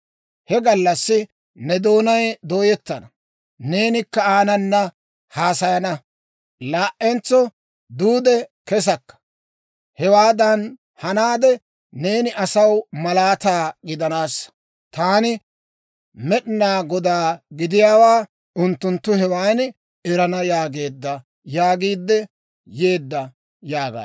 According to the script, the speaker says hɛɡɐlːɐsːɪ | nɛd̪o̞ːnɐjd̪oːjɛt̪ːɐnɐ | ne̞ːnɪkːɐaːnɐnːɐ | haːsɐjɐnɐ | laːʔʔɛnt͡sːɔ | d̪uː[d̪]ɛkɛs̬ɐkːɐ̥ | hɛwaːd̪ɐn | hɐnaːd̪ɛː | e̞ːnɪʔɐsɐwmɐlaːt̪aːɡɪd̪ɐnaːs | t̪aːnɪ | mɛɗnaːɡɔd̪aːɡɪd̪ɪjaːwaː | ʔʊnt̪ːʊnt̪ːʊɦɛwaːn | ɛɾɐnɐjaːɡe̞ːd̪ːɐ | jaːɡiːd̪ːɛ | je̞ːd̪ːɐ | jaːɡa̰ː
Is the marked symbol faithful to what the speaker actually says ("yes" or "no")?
yes